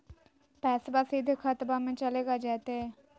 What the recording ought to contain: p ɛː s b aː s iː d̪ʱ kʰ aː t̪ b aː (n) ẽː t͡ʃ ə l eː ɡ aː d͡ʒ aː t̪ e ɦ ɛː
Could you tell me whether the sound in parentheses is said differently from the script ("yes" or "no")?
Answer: yes